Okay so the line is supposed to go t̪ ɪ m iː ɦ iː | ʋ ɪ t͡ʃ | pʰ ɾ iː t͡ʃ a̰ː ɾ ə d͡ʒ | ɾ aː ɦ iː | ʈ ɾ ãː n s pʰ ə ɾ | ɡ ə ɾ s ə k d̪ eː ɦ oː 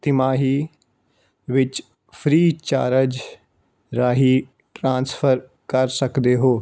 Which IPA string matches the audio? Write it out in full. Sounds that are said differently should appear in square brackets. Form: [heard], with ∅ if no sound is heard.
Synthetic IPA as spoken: t̪ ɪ m [aː] ɦ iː | ʋ ɪ t͡ʃ | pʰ ɾ iː t͡ʃ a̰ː ɾ ə d͡ʒ | ɾ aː ɦ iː | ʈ ɾ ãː n s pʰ ə ɾ | [k] ə ɾ s ə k d̪ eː ɦ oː